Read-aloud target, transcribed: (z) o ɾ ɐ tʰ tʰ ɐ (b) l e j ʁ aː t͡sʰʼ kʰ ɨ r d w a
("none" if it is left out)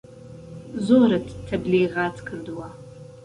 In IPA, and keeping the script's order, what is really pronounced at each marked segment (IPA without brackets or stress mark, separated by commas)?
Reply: z, b